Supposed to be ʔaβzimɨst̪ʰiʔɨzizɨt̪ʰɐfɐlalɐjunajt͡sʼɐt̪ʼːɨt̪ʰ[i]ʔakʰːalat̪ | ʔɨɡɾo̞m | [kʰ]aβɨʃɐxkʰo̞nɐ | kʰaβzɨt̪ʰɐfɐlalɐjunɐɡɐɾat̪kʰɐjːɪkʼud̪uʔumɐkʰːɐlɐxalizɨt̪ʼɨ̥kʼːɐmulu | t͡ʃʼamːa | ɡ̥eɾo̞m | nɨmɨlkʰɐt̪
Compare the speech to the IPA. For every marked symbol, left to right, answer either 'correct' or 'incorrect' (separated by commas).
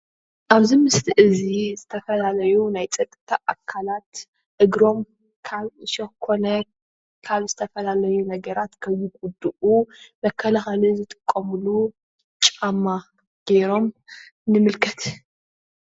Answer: incorrect, correct